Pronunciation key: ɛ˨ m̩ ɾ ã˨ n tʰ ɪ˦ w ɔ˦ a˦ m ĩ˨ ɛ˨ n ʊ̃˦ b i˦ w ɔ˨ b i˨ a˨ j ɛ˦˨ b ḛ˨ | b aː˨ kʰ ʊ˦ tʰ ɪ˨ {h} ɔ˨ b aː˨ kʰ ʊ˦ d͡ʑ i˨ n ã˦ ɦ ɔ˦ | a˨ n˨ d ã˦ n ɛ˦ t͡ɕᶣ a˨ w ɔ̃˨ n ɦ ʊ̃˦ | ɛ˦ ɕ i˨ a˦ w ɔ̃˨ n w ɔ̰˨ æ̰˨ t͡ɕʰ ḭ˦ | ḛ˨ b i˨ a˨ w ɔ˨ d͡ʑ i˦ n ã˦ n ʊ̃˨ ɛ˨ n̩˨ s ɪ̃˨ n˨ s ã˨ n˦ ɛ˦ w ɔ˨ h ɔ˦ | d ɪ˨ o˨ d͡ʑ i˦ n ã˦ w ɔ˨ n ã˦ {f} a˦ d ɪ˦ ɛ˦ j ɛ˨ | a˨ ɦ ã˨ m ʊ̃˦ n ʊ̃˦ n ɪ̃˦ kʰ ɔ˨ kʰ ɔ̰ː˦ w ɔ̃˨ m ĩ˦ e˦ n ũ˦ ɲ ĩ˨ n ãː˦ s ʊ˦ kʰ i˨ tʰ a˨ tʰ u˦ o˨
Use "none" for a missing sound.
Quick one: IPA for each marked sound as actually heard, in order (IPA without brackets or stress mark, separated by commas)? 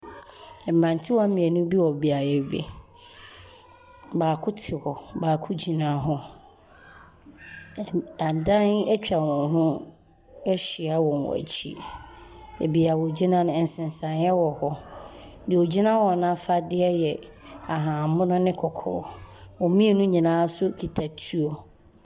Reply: h, f